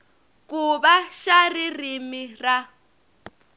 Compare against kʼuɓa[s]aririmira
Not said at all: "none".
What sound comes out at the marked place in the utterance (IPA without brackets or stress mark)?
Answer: ʃ